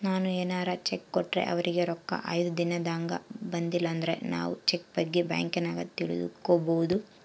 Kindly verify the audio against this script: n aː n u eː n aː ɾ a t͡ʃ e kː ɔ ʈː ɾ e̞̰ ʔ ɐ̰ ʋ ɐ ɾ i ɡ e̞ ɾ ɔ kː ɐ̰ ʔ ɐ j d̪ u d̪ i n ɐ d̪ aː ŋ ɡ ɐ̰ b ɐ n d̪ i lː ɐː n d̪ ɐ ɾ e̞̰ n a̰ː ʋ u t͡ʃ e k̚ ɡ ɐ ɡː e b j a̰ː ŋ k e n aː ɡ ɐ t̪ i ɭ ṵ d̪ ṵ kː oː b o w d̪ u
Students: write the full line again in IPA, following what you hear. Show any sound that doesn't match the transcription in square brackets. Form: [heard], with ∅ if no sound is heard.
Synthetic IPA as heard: n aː n u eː n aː ɾ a t͡ʃ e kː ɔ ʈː ɾ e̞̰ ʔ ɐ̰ ʋ ɐ ɾ i ɡ e̞ ɾ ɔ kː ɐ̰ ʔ ɐ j d̪ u d̪ i n ɐ d̪ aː ŋ ɡ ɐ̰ b ɐ n d̪ i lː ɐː n d̪ ɐ ɾ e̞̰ n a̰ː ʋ u t͡ʃ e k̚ [b] ɐ ɡː e b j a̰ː ŋ k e n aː ɡ ɐ t̪ i ɭ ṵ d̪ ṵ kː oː b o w d̪ u